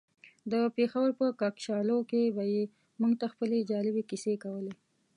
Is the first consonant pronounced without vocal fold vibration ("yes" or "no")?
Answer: no